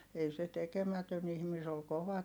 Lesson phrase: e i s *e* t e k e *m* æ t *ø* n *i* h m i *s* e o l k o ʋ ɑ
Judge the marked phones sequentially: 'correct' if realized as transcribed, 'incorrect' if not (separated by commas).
correct, correct, correct, correct, correct